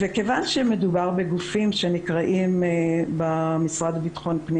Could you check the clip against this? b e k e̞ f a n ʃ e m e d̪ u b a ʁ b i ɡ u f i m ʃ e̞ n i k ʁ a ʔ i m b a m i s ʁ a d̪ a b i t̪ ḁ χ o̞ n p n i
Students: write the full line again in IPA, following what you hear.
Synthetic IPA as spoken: v e k e̞ v a n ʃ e m e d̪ u b a ʁ b e ɡ u f i m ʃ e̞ n i k ʁ a ʔ i m b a m i s ʁ a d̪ a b i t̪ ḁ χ o̞ n p n i

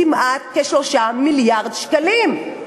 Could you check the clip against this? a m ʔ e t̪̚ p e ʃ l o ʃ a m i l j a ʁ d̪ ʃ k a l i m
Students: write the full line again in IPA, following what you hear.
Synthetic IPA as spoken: i m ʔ a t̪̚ k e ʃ l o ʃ a m i l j a ʁ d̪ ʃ k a l i m

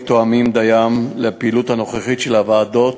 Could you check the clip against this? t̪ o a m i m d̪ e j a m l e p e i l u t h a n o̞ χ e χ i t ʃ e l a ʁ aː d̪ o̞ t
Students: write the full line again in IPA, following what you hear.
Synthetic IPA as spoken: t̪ o a m i m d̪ a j a m l e p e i l u t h a n o̞ χ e χ i t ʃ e l a v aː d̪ o̞ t

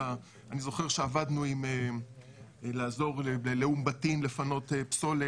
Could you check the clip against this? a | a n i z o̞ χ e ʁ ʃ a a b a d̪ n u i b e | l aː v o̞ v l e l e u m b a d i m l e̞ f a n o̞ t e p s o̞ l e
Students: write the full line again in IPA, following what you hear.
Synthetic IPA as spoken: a | a n i z o̞ χ e ʁ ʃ e a v a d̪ n u i m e | l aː z o̞ ʁ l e l e u m b a t i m l e̞ f a n o̞ t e p s o̞ l e

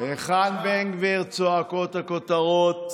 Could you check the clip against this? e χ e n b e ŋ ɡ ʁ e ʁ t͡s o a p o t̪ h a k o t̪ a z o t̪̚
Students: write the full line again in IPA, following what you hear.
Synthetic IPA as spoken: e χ a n b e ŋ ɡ v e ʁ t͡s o a k o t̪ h a k o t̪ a ʁ o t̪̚

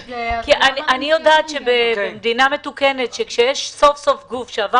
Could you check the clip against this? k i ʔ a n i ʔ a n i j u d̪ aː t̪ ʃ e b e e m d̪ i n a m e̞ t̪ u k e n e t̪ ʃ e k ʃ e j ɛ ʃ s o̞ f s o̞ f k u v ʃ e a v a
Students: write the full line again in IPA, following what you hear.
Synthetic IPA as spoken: k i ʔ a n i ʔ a n i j o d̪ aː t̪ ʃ e b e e m d̪ i n a m e̞ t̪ u k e n e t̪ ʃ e k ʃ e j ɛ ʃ s o̞ f s o̞ f ɡ u f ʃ e a v a

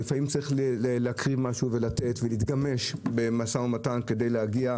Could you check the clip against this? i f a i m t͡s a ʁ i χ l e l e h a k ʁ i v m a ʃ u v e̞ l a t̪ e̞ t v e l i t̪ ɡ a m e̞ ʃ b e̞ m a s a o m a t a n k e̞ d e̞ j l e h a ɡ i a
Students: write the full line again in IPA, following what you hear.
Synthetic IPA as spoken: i f a i m t͡s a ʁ i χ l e l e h a k ʁ i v m a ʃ u v e̞ l a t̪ e̞ t v e l i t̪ ɡ a m e̞ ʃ b e̞ m a s a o m a t a n k e̞ d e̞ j l e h a ɡ i a

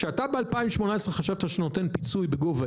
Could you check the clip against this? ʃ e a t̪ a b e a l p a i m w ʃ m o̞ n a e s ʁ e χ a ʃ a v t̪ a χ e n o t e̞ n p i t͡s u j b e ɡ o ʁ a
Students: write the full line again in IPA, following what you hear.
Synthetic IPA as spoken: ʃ e a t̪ a b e a l p a i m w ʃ m o̞ n a e s ʁ e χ a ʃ a v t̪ a ʃ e n o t e̞ n p i t͡s u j b e ɡ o v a

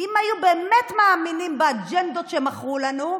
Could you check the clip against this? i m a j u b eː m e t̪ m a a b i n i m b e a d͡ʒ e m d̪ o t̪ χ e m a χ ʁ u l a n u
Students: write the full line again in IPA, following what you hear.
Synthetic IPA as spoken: i m a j u b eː m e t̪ m a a m i n i m b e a d͡ʒ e n d̪ o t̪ ʃ e m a χ ʁ u l a n u

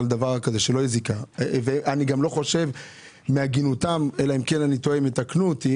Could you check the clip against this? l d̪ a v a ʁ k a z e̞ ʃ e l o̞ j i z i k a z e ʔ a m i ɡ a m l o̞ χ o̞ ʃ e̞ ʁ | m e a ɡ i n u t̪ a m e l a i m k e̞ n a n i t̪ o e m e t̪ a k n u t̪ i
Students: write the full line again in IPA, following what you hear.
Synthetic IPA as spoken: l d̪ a v a ʁ k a z e̞ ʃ e l o̞ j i z i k a v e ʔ a n i ɡ a m l o̞ χ o̞ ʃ e̞ v | m e a ɡ i n u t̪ a m e l a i m k e̞ n a n i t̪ o e m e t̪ a k n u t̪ i

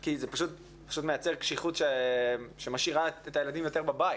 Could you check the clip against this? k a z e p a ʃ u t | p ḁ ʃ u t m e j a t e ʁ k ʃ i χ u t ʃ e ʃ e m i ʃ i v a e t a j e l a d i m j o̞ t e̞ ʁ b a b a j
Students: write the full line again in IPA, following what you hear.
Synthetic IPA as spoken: k i z e p a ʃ u t | p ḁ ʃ u t m e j a t͡s e ʁ k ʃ i χ u t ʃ e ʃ e m a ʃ i ʁ a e t a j e l a d i m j o̞ t e̞ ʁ b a b a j

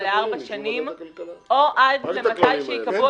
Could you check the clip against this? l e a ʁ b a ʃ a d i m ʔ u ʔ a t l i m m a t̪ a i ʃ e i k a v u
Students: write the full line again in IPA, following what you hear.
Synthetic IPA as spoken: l e a ʁ b a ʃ a n i m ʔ o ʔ a d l e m m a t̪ a j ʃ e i k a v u

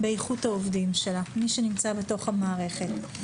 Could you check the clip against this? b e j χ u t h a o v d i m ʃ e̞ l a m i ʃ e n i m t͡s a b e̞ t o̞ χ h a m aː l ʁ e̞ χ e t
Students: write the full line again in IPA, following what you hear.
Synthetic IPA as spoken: b e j χ u t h a o v d i m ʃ e̞ l a m i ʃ e n i m t͡s a b e̞ t o̞ χ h a m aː ʁ e̞ χ e t

